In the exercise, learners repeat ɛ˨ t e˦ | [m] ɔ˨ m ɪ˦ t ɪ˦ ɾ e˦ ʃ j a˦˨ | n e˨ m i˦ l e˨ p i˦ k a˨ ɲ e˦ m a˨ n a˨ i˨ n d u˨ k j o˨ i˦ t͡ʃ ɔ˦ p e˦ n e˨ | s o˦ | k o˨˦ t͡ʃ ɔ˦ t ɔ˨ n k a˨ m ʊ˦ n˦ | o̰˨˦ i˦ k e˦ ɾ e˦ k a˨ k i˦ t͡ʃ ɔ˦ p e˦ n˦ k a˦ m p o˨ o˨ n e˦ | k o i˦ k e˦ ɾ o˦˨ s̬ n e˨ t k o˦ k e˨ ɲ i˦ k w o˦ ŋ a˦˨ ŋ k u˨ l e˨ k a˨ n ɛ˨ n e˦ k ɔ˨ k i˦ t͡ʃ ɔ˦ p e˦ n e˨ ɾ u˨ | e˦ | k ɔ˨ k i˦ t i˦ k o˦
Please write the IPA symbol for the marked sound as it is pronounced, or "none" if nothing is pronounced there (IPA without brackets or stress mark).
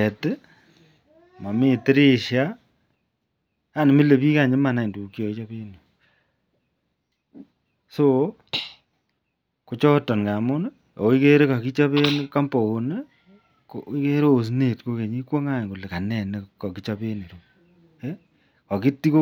m